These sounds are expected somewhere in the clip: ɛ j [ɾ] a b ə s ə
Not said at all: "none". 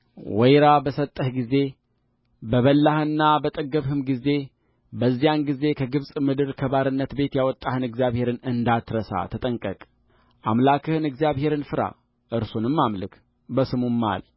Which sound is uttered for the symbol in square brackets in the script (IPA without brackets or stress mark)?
ɾ